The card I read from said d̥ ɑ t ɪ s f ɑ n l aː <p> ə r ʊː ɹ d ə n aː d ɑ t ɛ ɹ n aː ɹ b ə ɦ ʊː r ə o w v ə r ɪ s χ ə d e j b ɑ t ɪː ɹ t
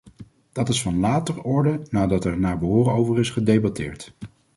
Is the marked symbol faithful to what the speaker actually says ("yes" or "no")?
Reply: no